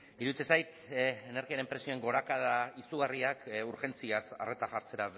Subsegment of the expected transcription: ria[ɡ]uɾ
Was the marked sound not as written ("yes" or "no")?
yes